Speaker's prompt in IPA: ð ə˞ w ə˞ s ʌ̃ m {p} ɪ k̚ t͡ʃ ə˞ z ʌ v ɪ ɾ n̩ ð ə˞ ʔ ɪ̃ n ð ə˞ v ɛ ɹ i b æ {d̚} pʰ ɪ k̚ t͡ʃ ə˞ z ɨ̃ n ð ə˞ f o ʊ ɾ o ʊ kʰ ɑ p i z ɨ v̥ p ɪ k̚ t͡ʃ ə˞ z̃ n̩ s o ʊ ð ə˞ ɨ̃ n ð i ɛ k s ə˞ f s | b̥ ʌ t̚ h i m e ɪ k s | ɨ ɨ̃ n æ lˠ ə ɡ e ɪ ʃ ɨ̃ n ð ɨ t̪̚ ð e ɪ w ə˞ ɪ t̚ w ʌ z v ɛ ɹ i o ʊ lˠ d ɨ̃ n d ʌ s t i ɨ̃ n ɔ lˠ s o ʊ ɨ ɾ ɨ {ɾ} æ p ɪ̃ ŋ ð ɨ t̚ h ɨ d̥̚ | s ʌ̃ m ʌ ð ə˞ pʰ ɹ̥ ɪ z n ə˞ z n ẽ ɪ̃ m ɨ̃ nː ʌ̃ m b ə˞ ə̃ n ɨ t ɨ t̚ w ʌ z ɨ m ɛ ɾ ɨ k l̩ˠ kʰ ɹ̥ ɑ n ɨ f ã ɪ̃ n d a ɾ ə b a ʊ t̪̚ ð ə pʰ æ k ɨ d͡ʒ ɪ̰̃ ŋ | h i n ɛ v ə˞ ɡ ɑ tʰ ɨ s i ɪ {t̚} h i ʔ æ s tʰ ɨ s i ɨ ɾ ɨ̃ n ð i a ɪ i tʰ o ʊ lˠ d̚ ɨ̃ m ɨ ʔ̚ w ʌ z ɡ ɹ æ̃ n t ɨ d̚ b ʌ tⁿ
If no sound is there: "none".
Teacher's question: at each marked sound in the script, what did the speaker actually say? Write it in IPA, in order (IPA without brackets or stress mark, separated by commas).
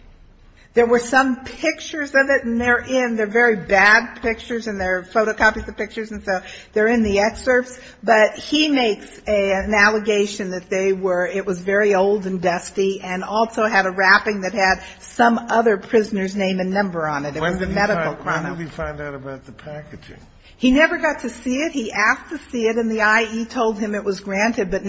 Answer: pʰ, d̚, ɹ, t̚